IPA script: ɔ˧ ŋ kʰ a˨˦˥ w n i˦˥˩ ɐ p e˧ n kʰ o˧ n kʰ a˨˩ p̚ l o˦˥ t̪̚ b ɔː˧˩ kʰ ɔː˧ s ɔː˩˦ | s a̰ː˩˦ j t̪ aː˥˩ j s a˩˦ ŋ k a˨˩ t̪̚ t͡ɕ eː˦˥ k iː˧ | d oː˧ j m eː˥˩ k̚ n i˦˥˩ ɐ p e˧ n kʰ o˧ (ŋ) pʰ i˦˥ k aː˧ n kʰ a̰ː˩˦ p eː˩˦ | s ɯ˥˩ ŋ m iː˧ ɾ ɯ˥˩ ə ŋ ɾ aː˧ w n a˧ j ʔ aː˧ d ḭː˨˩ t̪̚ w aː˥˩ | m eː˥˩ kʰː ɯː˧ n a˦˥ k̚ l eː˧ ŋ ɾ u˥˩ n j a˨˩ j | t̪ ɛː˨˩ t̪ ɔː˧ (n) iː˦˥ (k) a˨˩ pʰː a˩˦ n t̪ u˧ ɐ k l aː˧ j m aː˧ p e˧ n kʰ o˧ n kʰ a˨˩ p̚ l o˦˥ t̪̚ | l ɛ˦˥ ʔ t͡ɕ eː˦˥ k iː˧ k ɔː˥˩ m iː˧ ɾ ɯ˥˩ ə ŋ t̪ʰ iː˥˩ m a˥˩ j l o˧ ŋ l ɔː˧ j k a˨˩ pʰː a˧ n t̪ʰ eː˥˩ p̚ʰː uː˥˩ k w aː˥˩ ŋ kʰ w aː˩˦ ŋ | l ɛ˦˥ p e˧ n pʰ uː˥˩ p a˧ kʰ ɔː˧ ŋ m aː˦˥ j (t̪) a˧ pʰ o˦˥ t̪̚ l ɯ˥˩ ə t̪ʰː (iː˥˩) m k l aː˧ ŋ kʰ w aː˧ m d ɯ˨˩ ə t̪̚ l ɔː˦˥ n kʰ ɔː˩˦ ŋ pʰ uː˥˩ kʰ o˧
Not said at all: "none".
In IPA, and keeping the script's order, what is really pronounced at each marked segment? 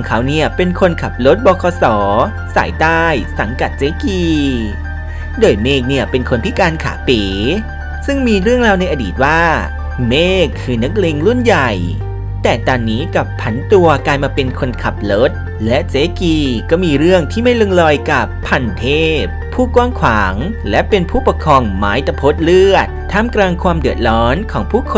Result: n, nː, k, t̪, aː˥˩

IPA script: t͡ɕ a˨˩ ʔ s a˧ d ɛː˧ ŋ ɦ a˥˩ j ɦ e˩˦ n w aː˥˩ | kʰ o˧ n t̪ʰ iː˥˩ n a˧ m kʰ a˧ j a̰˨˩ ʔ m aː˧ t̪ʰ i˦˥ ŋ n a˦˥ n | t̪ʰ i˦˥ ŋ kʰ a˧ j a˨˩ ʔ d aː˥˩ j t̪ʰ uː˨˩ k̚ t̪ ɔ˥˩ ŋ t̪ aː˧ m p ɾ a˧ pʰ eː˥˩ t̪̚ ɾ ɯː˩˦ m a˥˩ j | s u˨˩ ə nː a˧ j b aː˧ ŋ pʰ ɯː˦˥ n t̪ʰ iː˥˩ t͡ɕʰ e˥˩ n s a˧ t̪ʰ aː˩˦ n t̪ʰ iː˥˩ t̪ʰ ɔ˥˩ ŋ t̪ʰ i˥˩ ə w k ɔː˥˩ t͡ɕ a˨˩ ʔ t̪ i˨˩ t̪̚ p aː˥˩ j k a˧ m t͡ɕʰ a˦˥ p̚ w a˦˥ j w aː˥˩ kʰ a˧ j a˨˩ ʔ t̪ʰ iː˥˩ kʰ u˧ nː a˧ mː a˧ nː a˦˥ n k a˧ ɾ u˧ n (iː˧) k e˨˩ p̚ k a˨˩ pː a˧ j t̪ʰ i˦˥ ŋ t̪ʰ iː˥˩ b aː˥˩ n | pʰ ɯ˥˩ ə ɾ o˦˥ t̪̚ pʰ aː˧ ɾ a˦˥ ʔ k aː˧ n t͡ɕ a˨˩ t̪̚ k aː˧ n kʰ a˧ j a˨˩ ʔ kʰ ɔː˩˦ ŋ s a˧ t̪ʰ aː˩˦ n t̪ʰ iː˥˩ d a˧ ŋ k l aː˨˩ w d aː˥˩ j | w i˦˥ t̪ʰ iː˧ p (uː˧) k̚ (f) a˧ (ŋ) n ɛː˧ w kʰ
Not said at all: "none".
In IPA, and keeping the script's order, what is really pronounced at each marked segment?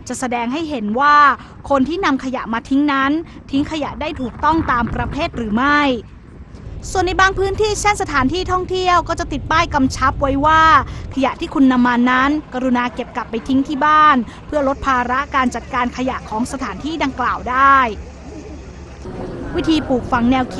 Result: aː˧, uː˨˩, f, ŋ

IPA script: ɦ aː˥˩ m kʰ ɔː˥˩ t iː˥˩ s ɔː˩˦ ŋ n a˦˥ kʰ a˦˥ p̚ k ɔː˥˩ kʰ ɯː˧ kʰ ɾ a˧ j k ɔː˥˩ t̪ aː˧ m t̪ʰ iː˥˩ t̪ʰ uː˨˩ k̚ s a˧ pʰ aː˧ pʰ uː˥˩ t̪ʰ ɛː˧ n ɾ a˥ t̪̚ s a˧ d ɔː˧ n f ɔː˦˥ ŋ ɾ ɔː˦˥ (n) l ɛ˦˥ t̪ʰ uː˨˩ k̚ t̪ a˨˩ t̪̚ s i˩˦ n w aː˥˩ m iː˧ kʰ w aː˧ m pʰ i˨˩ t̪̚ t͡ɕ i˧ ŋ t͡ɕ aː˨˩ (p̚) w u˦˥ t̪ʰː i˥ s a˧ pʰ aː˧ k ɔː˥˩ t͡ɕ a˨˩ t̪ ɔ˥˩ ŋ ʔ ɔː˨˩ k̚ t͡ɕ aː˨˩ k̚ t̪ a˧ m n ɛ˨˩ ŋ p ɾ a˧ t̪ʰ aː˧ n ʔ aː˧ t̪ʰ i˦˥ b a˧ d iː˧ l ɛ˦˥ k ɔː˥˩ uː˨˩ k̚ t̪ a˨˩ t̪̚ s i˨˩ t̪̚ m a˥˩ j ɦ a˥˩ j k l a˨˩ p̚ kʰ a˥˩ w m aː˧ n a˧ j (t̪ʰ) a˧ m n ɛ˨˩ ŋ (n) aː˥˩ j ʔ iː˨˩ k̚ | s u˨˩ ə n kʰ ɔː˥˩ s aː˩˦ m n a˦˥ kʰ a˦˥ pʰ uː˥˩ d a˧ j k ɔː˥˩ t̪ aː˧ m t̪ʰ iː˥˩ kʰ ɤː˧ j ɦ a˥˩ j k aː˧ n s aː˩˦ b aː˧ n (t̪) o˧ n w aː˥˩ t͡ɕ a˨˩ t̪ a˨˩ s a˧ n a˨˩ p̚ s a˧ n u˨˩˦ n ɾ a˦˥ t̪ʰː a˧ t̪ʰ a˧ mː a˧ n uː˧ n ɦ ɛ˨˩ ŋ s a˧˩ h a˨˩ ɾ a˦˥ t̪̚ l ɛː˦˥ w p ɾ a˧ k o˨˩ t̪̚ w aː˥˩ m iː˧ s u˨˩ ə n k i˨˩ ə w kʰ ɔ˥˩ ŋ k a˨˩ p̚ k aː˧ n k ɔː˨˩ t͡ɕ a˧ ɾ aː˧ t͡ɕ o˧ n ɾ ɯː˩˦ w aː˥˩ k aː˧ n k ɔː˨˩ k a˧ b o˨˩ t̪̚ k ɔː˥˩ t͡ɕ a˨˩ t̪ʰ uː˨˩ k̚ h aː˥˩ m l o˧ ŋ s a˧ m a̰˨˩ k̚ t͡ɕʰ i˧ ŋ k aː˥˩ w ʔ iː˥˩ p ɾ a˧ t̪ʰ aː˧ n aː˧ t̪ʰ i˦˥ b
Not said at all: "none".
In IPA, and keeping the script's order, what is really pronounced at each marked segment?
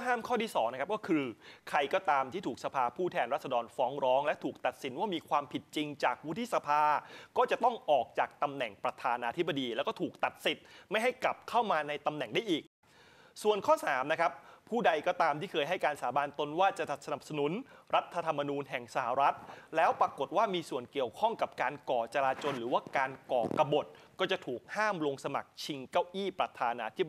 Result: ŋ, k̚, t̪, d, t̪

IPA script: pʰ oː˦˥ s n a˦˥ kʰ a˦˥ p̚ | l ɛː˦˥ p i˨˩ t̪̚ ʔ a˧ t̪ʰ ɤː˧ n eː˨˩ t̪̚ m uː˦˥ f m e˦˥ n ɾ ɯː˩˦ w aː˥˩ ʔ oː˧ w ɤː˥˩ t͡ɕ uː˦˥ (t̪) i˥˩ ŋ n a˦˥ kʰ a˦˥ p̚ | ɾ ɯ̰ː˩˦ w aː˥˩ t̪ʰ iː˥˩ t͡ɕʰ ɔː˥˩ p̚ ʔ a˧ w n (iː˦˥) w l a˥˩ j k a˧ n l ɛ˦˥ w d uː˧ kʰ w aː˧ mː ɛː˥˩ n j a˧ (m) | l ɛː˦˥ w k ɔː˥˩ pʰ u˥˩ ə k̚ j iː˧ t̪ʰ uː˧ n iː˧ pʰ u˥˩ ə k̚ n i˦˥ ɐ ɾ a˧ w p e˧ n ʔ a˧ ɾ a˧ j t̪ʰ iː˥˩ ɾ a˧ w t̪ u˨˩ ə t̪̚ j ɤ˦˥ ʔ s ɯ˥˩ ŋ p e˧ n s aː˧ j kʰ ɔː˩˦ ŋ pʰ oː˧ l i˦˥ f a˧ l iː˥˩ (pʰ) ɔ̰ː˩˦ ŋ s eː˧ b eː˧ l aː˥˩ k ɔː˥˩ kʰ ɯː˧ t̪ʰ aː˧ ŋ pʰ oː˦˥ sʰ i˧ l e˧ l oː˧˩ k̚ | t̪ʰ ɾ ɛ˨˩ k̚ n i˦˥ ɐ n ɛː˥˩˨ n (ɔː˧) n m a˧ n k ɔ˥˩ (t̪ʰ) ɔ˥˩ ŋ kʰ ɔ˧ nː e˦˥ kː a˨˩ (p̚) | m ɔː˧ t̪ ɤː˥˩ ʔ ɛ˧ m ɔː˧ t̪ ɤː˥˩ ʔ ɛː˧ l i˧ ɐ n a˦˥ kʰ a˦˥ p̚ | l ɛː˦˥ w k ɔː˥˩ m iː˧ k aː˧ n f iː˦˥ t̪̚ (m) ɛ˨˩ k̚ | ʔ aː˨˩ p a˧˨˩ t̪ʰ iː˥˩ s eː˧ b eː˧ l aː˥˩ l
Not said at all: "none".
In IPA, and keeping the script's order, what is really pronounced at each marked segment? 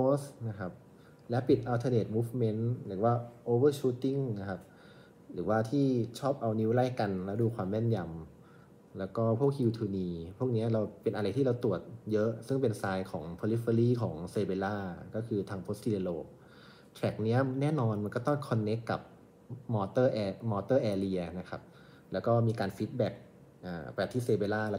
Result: t̪, i˦˥, m, kʰ, ɔː˧, t̪, p̚, b

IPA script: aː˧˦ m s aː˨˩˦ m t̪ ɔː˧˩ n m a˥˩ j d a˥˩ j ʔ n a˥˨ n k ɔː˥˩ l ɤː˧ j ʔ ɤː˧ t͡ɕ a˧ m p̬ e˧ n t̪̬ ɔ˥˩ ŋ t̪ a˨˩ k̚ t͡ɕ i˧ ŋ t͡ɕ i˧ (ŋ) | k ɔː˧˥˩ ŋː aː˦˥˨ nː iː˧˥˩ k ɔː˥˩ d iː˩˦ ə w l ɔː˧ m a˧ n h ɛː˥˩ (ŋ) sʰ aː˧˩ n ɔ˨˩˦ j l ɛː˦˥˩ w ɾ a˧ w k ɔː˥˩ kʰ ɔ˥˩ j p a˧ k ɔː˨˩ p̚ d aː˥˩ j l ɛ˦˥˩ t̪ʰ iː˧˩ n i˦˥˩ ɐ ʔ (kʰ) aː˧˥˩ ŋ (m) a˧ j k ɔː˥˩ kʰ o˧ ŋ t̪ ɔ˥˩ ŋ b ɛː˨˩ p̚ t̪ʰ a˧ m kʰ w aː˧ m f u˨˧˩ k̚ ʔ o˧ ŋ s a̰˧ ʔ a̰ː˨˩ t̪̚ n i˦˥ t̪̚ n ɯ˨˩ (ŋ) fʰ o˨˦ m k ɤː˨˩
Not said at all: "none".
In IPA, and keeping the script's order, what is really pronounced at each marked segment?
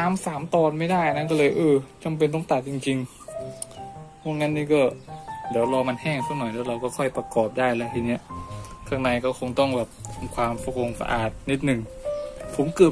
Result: ŋ, ŋ, kʰ, n, ŋ

